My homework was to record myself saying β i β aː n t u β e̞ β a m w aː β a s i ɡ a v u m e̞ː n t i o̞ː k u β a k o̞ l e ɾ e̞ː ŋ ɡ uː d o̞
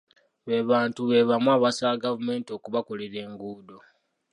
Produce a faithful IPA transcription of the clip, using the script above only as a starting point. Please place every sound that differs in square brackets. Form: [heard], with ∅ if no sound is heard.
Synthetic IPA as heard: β [e] β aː n t u β e̞ β a m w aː β a s [a] ɡ a v u m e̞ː n t i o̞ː k u β a k o̞ l e ɾ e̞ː ŋ ɡ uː d o̞